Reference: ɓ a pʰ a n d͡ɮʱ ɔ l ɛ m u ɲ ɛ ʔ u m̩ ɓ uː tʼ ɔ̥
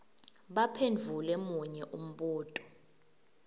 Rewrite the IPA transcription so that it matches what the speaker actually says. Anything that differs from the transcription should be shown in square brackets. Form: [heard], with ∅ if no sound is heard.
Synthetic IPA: ɓ a pʰ [e] n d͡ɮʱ [u] l ɛ m u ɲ ɛ ʔ u m̩ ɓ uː tʼ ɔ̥